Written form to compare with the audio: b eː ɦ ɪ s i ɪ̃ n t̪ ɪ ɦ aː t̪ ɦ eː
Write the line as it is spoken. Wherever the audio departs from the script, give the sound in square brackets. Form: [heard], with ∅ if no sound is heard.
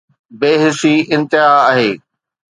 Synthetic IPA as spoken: b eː ɦ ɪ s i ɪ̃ n t̪ ɪ ɦ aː [∅] ɦ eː